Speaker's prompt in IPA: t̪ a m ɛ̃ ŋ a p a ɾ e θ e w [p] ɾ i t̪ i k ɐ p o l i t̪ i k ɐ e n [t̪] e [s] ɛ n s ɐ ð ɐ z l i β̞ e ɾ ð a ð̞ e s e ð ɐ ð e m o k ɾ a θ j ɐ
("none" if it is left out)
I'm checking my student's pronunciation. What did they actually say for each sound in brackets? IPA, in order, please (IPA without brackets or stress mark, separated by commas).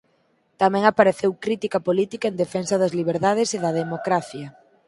k, d̪, f